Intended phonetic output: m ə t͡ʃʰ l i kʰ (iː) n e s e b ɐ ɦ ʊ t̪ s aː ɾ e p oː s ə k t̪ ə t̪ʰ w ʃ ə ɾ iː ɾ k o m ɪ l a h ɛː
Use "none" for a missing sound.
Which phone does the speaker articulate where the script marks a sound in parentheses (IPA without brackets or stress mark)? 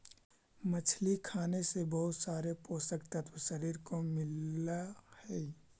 aː